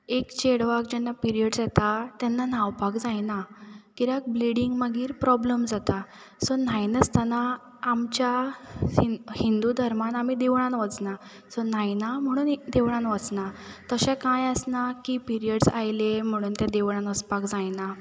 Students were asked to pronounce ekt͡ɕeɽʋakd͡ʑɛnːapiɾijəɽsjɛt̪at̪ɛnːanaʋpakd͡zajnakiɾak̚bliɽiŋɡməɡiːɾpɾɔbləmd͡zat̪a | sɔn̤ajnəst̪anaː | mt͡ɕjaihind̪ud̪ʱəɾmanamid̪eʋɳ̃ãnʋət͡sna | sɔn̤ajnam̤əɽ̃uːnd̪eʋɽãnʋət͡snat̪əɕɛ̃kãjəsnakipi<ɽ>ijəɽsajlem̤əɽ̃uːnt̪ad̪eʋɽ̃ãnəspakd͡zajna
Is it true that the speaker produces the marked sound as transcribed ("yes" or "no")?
no